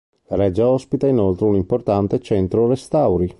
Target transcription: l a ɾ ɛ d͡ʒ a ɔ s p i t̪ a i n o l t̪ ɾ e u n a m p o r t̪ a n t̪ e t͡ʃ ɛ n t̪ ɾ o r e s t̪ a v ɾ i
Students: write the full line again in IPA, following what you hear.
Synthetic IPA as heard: l a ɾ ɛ d͡ʒ a ɔ s p i t̪ a i n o l t̪ ɾ e u n i m p o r t̪ a n t̪ e t͡ʃ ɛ n t̪ ɾ o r e s t̪ a w ɾ i